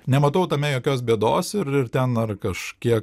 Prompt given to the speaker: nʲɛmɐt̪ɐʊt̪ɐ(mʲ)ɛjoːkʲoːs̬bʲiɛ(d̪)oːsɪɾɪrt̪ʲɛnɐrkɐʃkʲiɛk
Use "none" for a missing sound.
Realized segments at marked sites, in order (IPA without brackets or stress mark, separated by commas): mʲ, d̪